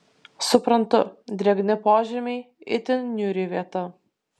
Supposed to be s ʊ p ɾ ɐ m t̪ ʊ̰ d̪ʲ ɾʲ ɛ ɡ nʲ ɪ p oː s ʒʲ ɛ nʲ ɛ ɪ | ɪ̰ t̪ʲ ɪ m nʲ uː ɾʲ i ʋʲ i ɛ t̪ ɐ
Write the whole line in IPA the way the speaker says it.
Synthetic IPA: s ʊ p ɾ ɐ n t̪ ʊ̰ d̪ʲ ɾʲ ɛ ɡ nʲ ɪ p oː ʒʲ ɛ mʲ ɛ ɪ | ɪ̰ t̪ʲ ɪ n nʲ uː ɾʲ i ʋʲ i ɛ t̪ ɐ